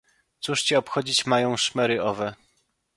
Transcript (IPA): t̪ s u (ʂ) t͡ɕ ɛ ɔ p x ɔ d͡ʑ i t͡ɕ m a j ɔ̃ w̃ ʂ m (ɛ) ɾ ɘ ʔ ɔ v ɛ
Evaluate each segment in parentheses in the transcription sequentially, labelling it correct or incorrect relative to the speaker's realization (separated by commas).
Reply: correct, correct